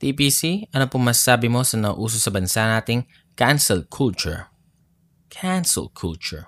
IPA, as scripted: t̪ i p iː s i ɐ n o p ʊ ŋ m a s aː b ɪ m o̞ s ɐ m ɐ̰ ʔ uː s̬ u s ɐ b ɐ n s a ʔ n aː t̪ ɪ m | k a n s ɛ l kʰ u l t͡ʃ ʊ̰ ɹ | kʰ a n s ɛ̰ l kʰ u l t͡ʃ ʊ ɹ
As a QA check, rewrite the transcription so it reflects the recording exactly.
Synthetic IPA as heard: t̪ i p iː s i ɐ n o p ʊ ŋ m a s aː b ɪ m o̞ s ɐ n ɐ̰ ʔ uː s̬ o s ɐ b ɐ n s a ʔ n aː t̪ ɪ ŋ | k a n s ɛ l kʰ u l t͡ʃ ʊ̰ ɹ | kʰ a n s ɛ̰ l kʰ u l t͡ʃ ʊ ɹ